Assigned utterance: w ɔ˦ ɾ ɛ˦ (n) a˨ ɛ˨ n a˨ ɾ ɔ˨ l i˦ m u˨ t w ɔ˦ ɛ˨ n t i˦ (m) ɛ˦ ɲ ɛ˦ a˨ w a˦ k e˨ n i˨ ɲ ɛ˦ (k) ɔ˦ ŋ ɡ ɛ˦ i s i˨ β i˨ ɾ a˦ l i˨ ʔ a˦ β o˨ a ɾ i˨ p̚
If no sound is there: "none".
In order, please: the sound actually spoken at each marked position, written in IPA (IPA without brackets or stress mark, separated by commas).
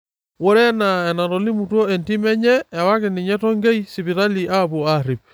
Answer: n, m, t